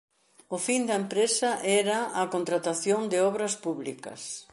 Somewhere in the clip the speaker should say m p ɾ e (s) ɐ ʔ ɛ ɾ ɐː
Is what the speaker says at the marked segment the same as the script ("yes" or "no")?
yes